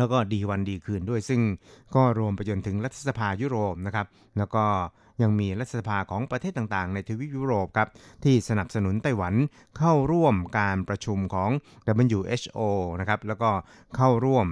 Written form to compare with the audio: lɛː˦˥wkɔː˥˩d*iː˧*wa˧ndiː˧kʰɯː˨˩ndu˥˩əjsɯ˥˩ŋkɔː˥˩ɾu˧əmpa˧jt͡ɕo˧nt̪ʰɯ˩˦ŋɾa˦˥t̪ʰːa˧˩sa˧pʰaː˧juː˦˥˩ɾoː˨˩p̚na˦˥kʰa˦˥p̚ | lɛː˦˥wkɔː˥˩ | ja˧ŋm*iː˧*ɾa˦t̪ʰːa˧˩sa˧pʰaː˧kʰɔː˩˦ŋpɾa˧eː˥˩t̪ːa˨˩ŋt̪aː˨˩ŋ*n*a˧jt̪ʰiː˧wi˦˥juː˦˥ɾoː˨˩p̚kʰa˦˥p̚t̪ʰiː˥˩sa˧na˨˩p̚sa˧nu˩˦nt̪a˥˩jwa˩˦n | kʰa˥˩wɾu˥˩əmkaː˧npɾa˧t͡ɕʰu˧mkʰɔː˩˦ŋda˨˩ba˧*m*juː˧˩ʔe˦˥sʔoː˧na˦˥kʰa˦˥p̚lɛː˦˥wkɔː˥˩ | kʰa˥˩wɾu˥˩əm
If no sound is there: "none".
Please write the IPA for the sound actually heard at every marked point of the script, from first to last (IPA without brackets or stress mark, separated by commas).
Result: iː˧, iː˧, n, n